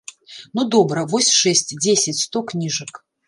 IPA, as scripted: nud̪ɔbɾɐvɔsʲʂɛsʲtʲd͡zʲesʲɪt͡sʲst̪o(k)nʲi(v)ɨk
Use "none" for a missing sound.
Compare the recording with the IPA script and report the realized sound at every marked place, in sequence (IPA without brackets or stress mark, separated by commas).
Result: k, ʐ